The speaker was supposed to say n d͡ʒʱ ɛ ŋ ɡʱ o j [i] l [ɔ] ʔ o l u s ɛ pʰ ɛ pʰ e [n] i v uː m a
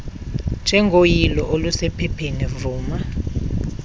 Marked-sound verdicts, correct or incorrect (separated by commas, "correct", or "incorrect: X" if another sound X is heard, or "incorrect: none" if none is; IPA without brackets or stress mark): correct, correct, correct